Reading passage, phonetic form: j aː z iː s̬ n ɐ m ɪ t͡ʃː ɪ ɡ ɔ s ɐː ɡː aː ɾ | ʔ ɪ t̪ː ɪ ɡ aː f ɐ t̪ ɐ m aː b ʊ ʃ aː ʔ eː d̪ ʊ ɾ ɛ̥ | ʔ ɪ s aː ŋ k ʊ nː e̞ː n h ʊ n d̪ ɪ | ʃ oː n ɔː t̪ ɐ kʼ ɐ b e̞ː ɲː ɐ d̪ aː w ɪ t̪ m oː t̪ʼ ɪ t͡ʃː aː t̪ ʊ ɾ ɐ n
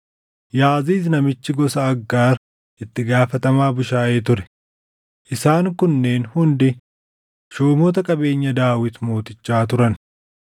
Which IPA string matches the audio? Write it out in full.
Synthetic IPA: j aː z iː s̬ n ɐ m ɪ t͡ʃː ɪ ɡ ɔ s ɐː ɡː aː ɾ | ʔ ɪ t̪ː ɪ ɡ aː f ɐ t̪ ɐ m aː b ʊ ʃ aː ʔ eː t̪ ʊ ɾ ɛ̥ | ʔ ɪ s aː ŋ k ʊ nː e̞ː n h ʊ n d̪ ɪ | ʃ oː m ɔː t̪ ɐ kʼ ɐ b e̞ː ɲː ɐ d̪ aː w ɪ t̪ m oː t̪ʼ ɪ t͡ʃː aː t̪ ʊ ɾ ɐ n